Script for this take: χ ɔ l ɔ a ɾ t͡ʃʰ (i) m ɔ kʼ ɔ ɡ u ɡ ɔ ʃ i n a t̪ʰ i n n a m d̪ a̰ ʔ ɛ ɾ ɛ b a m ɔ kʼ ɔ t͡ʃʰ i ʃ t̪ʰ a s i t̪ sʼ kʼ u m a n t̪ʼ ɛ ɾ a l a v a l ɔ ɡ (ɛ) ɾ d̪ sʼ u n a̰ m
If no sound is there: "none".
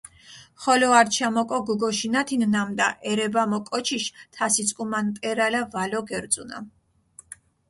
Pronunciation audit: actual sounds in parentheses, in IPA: a, ɛ

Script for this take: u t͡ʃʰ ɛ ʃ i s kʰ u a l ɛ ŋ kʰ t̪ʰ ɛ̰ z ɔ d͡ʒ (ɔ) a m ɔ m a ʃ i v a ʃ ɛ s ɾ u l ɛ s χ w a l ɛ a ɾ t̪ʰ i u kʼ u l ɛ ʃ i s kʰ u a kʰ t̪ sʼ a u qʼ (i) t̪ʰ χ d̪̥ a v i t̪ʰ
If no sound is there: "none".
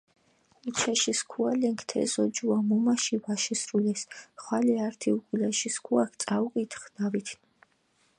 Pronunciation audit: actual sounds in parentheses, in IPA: u, i

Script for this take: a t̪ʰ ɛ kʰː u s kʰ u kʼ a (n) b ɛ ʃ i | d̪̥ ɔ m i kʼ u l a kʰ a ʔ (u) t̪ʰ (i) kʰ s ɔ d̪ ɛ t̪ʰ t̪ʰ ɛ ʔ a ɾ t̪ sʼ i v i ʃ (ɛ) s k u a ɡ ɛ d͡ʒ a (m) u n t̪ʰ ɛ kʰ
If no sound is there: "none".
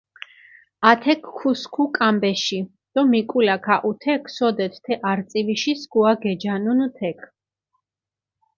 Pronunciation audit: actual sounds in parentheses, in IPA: m, u, ɛ, i, n

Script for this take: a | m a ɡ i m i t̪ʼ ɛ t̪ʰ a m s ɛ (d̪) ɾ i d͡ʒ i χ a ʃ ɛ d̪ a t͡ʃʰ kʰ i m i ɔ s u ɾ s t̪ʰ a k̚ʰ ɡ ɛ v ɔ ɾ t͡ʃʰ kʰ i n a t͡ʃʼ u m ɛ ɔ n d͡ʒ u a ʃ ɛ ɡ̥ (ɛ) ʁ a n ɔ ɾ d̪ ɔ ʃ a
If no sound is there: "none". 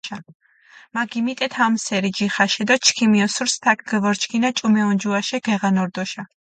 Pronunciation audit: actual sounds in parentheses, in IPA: none, ɛ

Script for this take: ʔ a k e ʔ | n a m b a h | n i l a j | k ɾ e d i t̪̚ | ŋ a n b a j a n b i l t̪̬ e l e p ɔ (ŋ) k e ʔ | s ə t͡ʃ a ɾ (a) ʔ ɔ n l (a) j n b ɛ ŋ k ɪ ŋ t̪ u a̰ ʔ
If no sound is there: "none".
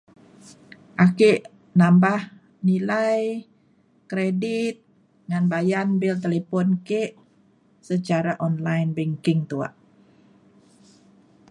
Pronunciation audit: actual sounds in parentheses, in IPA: n, a, a

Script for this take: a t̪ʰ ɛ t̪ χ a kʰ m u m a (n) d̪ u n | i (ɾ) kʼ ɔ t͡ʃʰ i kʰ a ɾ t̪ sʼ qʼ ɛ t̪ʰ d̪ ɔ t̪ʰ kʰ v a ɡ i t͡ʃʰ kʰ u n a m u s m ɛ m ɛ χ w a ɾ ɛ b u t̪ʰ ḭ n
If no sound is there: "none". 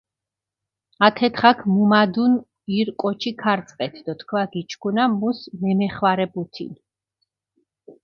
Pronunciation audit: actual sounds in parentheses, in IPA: none, ɾ

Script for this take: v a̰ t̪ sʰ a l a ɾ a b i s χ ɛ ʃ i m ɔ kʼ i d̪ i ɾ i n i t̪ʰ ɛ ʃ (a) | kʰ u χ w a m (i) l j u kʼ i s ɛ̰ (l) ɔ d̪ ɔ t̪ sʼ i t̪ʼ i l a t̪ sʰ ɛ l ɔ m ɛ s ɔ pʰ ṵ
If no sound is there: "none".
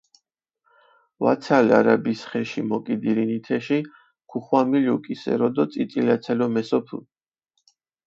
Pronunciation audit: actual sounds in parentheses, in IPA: i, i, ɾ

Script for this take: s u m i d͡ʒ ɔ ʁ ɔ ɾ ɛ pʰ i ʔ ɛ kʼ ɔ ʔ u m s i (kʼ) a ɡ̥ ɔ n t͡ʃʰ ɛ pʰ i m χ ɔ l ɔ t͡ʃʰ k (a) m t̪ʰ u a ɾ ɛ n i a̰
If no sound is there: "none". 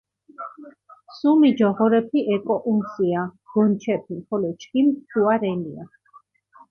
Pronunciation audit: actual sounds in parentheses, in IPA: none, i

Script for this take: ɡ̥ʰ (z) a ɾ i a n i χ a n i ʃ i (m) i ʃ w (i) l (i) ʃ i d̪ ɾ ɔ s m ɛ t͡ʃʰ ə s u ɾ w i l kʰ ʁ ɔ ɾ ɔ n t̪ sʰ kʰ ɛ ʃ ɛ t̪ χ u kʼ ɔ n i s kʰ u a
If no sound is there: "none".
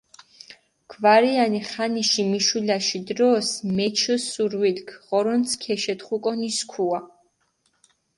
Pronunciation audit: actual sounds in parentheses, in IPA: v, m, i, a

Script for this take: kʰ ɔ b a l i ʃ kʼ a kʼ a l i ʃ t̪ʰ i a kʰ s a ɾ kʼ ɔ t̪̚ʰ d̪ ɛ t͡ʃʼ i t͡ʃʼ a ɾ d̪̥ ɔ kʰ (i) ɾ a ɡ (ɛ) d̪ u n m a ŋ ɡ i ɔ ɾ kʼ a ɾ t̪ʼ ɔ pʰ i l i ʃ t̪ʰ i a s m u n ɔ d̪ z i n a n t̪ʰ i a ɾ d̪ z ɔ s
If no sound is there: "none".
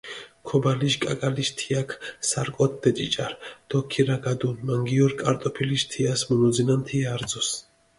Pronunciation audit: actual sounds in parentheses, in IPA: i, a

